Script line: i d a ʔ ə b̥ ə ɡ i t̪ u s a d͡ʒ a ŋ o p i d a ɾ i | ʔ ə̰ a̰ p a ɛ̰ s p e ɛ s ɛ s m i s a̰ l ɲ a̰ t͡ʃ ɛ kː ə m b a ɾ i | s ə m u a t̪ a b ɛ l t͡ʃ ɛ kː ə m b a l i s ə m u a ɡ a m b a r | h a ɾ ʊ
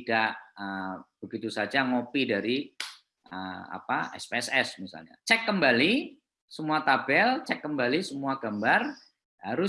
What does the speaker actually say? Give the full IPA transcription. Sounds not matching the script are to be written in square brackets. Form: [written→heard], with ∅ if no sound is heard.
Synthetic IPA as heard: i d a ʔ ə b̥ ə ɡ i t̪ u s a d͡ʒ a ŋ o p i d a ɾ i | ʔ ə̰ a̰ p a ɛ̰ s p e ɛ s ɛ s m i s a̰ l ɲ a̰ t͡ʃ ɛ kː ə m b a [ɾ→l] i | s ə m u a t̪ a b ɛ l t͡ʃ ɛ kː ə m b a l i s ə m u a ɡ a m b a r | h a ɾ ʊ